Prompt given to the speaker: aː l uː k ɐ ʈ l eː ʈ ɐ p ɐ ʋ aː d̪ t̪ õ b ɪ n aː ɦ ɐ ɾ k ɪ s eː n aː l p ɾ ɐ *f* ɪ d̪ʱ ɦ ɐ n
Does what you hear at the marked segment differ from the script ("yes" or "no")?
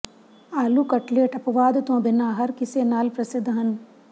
yes